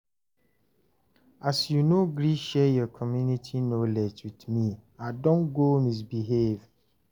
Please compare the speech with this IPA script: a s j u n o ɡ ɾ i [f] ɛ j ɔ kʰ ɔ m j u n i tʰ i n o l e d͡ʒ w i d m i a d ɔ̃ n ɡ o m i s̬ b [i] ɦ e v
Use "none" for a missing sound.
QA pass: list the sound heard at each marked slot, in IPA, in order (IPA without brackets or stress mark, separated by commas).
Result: ʃ, i